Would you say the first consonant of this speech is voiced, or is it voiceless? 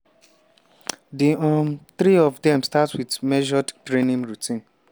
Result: voiced